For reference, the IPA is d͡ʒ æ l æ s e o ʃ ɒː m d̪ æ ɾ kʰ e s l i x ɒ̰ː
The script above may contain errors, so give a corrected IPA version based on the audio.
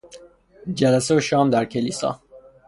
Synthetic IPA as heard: d͡ʒ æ l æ s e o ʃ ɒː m d̪ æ ɾ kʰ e l i s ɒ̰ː

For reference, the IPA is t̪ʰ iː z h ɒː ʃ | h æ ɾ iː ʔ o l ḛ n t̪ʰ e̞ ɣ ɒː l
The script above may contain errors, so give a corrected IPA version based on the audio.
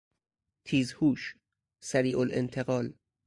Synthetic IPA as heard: t̪ʰ iː z h uː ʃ | s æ ɾ iː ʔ o l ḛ n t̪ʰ e̞ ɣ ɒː l

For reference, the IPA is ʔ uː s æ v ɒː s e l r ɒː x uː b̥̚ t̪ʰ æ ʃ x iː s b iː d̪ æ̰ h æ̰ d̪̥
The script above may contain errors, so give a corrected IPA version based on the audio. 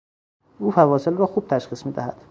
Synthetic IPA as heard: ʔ uː f æ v ɒː s e l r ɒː x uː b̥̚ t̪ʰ æ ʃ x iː s m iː d̪ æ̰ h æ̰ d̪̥

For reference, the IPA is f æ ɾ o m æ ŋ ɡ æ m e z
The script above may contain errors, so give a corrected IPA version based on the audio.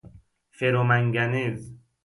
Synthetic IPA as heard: f e ɾ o m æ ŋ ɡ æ n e z

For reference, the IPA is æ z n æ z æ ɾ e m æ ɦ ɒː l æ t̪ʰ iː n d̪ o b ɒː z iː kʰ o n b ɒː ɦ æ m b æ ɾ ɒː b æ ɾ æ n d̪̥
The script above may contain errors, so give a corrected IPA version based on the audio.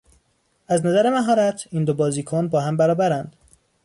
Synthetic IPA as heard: æ z n æ z æ ɾ e m æ ɦ ɒː ɾ æ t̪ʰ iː n d̪ o b ɒː z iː kʰ o n b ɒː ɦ æ m b æ ɾ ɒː b æ ɾ æ n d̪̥

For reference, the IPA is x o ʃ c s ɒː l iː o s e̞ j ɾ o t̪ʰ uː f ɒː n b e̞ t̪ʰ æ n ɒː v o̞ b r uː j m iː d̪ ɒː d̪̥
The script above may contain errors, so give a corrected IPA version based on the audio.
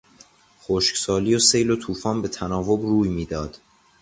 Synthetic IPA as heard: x o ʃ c s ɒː l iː o s e̞ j l o t̪ʰ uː f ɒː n b e̞ t̪ʰ æ n ɒː v o̞ b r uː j m iː d̪ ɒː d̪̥

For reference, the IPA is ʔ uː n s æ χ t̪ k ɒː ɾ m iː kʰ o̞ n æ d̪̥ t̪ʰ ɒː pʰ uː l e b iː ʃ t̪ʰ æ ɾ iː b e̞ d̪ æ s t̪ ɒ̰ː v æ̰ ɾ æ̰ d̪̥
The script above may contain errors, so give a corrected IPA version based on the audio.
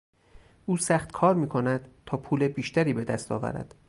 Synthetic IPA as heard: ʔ uː s æ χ t̪ kʰ ɒː ɾ m iː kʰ o̞ n æ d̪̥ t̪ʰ ɒː pʰ uː l e b iː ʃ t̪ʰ æ ɾ iː b e̞ d̪ æ s t̪ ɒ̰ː v æ̰ ɾ æ̰ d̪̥

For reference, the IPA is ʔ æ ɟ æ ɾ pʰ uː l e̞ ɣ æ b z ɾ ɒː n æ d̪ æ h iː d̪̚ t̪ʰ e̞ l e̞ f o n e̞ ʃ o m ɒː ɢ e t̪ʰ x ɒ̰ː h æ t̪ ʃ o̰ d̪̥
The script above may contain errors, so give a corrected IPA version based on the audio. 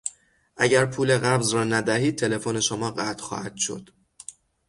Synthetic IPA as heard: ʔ æ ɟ æ ɾ pʰ uː l e̞ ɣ æ b z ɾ ɒː n æ d̪ æ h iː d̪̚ t̪ʰ e̞ l e̞ f o n e̞ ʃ o m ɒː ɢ æ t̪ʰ x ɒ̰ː h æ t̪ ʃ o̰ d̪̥

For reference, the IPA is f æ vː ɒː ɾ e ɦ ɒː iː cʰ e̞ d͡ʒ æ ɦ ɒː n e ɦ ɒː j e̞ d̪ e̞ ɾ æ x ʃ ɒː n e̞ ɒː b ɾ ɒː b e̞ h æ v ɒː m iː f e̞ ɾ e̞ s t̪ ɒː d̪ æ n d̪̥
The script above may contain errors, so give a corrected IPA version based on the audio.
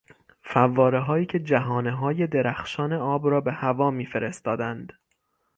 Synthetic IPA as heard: f æ vː ɒː ɾ e ɦ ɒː iː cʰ e̞ d͡ʒ æ ɦ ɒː n e ɦ ɒː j e̞ d̪ e̞ ɾ æ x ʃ ɒː n e̞ ɒː b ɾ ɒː b e̞ h æ v ɒː m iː f e̞ ɾ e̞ s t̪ ɒː d̪ æ n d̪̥

